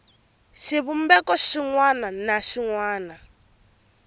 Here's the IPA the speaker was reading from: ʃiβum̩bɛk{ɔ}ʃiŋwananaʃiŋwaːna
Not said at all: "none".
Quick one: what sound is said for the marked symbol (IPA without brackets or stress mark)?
ɔ